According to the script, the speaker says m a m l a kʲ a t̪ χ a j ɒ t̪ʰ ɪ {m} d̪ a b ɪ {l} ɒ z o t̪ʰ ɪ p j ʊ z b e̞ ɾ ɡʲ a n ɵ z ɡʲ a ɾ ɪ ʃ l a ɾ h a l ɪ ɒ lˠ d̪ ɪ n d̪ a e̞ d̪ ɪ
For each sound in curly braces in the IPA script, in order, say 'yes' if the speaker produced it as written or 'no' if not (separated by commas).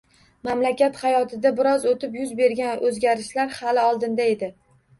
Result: no, no